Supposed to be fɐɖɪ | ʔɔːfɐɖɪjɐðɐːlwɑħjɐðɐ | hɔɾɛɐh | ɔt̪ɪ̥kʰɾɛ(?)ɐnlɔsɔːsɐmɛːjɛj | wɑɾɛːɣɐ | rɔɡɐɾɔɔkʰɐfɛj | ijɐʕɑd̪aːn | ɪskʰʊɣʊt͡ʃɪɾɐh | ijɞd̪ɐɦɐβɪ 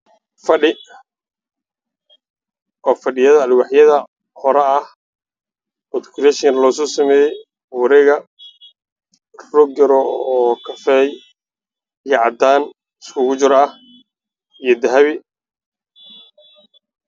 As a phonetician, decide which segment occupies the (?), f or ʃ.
ʃ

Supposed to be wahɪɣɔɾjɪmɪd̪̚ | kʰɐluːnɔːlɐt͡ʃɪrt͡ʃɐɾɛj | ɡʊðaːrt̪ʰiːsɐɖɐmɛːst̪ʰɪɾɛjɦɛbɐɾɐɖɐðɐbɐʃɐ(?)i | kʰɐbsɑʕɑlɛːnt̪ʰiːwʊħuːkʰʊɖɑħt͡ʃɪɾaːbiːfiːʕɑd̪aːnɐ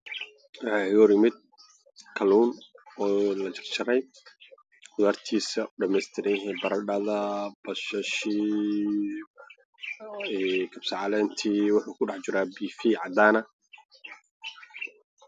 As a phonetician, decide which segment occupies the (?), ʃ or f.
ʃ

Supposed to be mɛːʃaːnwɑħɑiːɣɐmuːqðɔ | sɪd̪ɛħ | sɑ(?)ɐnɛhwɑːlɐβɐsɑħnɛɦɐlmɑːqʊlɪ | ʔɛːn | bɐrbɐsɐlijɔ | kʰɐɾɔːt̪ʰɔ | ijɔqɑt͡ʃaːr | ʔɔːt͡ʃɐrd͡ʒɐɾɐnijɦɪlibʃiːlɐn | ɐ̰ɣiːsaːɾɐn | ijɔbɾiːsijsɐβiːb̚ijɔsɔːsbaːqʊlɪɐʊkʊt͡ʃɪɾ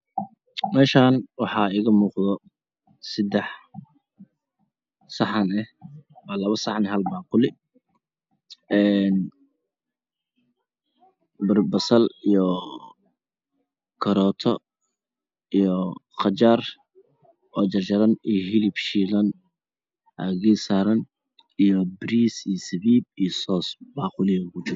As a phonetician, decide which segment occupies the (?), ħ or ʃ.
ħ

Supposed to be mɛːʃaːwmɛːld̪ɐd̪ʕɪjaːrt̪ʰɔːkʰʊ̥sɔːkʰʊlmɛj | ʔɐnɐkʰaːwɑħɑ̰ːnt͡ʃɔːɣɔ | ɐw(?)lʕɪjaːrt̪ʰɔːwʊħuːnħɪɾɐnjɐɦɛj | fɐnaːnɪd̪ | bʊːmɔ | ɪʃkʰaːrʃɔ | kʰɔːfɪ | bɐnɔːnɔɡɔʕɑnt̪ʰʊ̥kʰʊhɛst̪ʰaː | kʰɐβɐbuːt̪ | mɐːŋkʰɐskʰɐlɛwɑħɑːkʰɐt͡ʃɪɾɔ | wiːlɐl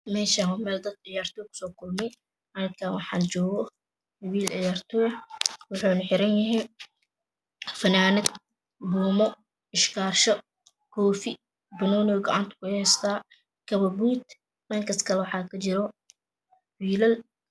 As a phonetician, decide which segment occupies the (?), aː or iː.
iː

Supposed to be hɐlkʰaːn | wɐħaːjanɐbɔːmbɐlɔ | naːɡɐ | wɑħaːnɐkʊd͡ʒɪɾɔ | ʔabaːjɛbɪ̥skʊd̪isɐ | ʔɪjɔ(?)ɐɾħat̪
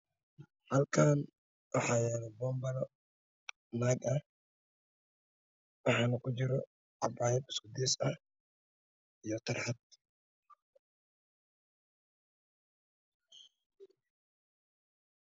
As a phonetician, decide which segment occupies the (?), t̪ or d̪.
t̪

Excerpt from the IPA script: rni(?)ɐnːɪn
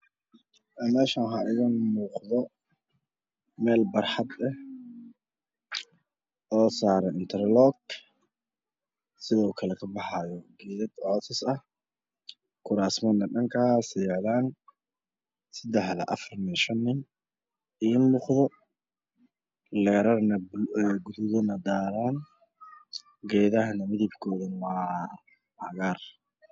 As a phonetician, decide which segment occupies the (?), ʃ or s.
ʃ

